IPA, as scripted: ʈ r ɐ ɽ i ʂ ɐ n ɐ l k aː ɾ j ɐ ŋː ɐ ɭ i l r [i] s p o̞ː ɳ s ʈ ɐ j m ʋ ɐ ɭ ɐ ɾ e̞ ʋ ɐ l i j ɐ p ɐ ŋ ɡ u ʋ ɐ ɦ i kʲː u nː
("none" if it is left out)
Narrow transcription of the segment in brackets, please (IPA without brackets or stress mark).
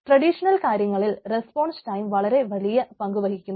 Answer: e